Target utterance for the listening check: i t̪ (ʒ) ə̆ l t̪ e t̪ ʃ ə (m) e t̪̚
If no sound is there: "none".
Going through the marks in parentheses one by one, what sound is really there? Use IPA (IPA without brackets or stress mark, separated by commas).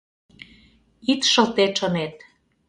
ʃ, n